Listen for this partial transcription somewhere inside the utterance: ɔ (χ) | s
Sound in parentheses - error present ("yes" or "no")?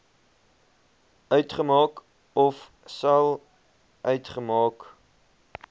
yes